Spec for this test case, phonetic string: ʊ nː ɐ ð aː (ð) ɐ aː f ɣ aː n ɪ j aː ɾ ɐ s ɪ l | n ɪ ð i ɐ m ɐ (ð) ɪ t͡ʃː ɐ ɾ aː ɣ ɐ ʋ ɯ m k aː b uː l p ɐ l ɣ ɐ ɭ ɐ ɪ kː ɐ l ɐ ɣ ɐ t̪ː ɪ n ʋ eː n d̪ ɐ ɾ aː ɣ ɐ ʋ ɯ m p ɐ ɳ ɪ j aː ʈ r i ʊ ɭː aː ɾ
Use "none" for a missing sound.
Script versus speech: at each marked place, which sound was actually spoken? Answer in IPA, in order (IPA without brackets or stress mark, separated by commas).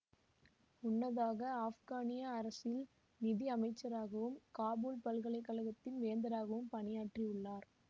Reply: ɣ, none